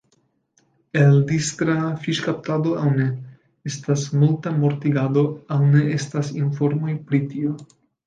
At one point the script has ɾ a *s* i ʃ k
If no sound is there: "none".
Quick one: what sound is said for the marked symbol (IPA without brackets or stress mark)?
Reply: f